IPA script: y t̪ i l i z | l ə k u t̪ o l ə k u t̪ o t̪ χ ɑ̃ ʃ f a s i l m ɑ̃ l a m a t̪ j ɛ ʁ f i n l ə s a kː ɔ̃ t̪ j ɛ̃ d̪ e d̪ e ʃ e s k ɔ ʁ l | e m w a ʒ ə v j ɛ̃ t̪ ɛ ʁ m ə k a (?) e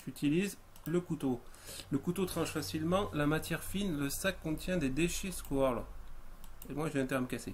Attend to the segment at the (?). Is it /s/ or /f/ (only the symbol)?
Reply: s